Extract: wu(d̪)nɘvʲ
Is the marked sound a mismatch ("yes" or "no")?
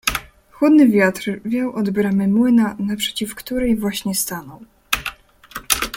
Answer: no